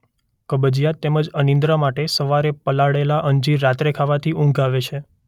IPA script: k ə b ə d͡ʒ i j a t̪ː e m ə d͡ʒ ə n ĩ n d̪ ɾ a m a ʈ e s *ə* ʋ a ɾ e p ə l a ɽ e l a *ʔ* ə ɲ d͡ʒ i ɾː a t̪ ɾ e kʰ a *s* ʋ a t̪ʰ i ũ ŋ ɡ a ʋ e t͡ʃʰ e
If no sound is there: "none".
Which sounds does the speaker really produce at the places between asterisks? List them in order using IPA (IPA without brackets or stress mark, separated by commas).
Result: ə, ʔ, none